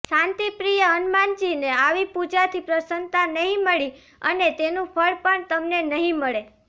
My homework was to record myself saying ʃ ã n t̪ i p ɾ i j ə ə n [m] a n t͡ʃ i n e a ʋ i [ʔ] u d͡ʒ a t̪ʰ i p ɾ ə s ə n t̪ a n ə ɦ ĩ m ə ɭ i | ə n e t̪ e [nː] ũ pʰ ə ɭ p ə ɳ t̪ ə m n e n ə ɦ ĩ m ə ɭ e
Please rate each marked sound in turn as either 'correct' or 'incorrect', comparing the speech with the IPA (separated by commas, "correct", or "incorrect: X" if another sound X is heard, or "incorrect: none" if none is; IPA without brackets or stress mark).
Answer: correct, incorrect: p, incorrect: n